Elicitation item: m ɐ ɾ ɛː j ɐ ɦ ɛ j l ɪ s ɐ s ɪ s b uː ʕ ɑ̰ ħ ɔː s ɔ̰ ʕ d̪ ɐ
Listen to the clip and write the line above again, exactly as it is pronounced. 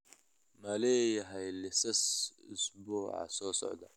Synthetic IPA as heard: m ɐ l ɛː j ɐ ɦ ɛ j l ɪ s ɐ s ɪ s b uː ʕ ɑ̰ s ɔː s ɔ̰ ʕ d̪ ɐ